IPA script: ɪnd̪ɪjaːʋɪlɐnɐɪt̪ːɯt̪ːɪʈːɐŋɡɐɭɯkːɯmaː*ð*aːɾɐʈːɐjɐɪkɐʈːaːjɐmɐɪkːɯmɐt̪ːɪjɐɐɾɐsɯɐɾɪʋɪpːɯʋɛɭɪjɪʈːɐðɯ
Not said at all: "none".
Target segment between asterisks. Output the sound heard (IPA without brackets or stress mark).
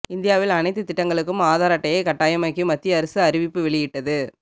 ð